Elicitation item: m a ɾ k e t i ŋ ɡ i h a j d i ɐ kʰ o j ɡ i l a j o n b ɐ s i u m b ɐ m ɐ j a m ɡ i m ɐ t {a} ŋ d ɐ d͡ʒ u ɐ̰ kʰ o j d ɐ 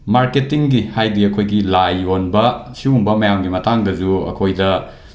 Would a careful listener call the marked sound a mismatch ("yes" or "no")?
no